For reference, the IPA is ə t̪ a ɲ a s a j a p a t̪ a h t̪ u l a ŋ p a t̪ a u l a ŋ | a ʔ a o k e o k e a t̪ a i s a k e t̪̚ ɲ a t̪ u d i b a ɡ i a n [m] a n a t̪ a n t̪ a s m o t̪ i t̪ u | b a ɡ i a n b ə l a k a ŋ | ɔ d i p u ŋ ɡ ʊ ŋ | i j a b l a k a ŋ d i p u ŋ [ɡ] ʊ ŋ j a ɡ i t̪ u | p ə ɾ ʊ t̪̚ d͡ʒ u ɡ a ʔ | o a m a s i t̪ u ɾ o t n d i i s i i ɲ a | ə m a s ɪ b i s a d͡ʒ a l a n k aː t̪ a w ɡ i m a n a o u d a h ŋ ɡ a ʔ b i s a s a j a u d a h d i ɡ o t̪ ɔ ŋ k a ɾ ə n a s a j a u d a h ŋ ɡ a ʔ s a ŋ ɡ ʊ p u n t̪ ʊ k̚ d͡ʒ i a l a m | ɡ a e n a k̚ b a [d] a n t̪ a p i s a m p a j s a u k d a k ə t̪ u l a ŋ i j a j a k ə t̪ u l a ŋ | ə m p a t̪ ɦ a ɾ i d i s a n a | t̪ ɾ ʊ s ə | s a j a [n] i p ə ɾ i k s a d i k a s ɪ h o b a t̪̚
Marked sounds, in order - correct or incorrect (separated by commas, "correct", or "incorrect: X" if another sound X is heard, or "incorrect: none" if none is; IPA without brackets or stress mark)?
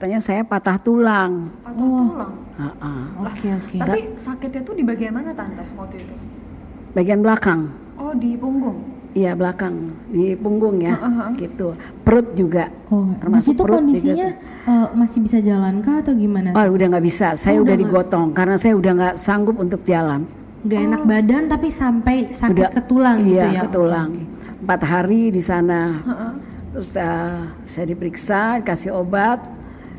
correct, correct, correct, incorrect: d